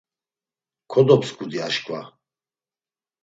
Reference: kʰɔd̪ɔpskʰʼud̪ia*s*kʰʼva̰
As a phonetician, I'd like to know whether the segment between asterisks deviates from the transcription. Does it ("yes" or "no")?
yes